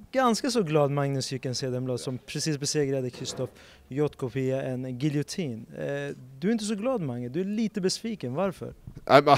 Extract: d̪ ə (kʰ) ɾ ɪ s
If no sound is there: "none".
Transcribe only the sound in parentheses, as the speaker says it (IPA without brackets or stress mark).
kʰ